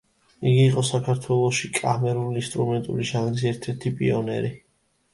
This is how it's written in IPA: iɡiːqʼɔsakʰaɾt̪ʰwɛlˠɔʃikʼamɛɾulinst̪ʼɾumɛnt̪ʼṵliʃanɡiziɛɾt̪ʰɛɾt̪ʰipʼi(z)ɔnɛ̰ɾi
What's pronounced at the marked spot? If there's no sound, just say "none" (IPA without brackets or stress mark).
none